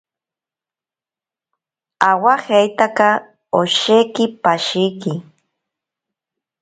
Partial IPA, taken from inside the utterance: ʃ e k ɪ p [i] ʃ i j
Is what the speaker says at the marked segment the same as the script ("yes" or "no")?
no